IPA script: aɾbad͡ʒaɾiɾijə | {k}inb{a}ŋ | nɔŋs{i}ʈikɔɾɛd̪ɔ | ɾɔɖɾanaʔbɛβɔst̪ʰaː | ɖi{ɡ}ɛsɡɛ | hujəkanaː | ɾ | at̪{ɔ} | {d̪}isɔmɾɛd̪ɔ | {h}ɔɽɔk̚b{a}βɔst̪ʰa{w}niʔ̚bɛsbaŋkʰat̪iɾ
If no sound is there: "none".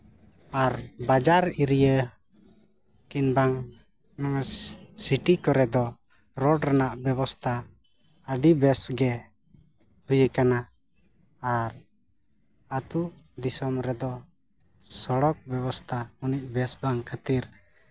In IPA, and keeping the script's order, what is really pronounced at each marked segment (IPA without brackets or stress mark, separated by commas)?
k, a, i, b, u, d̪, s, ɛ, u